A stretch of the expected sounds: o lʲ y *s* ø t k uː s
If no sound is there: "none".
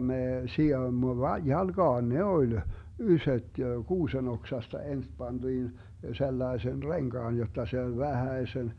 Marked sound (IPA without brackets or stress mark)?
s